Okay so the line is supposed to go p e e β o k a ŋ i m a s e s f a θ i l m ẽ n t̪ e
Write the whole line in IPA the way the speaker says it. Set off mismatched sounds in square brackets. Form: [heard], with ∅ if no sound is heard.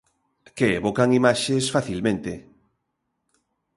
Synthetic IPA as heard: [k] e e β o k a ŋ i m a [ʃ] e s f a θ i l m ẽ n t̪ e